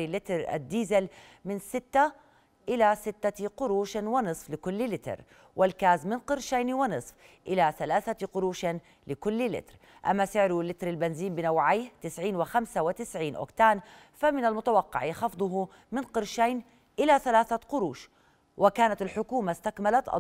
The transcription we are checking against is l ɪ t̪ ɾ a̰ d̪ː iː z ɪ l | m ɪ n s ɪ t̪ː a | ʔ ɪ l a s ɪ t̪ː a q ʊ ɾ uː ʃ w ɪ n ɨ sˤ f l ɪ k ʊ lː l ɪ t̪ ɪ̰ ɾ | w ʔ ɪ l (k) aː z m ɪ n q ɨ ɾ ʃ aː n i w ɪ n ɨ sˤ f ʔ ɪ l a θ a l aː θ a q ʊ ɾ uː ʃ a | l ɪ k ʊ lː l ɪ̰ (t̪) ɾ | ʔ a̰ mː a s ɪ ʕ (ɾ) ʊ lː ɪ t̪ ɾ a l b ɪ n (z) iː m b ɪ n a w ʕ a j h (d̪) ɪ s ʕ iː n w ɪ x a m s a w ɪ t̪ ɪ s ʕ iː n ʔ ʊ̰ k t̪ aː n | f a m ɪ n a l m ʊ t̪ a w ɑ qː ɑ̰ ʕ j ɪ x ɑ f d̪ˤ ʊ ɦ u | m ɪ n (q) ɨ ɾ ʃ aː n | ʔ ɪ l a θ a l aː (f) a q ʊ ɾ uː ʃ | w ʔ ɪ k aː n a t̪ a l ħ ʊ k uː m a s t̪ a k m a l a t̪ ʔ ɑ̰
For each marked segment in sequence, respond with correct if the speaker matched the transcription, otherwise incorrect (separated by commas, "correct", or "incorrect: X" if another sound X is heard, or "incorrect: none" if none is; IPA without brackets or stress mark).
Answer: correct, correct, correct, correct, incorrect: t̪, correct, incorrect: θ